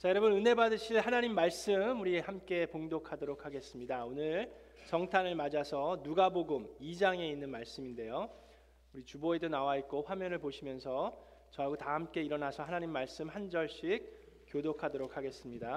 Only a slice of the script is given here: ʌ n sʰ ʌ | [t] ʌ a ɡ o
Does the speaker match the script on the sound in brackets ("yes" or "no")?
no